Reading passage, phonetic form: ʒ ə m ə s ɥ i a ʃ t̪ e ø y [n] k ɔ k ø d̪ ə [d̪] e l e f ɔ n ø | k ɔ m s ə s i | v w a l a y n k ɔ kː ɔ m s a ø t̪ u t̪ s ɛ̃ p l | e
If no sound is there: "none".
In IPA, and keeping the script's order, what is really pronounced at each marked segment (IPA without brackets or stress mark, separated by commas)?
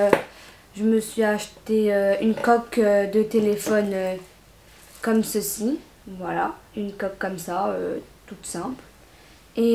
n, t̪